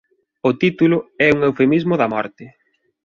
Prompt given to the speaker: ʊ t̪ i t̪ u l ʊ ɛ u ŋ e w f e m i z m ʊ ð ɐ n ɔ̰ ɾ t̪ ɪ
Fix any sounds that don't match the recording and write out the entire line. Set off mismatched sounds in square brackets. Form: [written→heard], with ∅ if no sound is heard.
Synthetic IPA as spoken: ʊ t̪ i t̪ u l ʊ ɛ u ŋ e w f e m i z m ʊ ð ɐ [n→m] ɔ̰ ɾ t̪ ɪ